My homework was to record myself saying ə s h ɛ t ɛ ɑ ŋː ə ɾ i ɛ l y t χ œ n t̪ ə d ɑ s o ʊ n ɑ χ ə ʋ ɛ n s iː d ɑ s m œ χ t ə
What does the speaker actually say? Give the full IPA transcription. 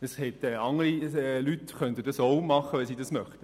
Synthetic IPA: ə s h ɛ t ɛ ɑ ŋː ə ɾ i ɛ l y t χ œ n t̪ ə d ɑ s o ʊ m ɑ χ ə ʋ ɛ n s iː d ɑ s m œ χ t ə

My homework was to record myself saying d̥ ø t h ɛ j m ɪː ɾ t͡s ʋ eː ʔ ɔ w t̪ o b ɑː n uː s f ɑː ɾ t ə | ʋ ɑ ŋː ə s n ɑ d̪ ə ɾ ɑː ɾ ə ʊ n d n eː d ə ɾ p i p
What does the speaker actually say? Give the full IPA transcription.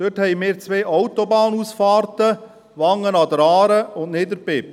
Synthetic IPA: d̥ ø t h ɛ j m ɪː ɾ t͡s ʋ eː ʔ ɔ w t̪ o b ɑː n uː s f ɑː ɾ t ə | ʋ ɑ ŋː ə n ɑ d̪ ə ɾ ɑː ɾ ə ʊ n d n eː d ə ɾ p ɪ p

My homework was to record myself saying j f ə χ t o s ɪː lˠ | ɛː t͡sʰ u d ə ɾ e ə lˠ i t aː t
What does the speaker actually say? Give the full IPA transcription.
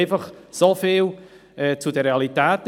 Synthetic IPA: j f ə χ s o f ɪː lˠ | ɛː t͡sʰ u d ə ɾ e a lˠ i t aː t

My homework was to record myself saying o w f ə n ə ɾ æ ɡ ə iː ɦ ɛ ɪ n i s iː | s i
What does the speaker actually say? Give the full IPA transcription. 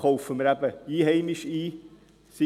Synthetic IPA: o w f ə m ə ɾ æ b ə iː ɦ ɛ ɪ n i ʃ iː | s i

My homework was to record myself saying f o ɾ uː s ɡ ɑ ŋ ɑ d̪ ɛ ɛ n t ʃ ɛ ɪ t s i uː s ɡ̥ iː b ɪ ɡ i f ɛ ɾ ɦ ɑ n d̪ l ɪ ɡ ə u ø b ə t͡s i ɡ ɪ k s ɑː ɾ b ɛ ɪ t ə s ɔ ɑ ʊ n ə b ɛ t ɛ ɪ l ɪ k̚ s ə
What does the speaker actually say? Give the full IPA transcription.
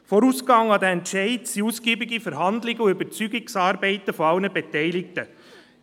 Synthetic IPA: f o ɾ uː s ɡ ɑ ŋ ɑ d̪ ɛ ɛ n t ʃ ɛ ɪ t s i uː s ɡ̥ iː b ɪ ɡ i f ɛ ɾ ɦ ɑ n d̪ l ɪ ɡ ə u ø b ə t͡s y ɡ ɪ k s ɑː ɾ b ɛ ɪ t ə f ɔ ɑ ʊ n ə b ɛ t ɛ ɪ l ɪ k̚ t ə

